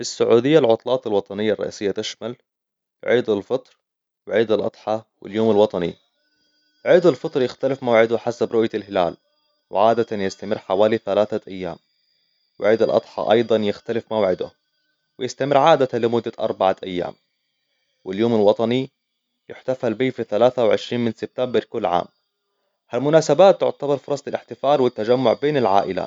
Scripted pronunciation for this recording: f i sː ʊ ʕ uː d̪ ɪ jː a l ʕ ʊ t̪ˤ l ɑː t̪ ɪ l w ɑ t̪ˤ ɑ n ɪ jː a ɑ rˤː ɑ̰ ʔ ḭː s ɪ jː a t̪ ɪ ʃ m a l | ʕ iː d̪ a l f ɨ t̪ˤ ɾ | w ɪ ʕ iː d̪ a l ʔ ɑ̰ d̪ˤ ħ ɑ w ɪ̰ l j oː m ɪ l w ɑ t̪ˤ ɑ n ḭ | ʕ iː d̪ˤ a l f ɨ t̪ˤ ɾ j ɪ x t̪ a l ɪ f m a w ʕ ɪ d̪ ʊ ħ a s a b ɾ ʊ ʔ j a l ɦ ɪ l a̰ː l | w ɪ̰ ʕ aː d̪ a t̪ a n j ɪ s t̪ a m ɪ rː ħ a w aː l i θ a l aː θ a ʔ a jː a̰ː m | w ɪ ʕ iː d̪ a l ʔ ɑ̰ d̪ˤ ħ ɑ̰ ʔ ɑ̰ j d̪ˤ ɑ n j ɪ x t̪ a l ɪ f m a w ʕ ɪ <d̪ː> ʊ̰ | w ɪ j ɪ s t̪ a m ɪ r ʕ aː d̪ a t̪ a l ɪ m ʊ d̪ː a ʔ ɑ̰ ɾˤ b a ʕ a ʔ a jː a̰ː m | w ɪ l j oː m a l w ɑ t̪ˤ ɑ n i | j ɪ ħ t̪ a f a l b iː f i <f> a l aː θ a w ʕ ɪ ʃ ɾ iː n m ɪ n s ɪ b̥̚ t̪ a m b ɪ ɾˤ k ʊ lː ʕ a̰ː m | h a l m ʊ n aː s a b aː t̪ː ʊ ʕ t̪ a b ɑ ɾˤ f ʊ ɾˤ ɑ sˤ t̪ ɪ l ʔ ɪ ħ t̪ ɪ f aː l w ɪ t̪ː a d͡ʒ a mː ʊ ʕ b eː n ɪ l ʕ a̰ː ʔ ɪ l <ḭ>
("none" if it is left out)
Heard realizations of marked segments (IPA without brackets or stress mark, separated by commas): d̪, θ, a̰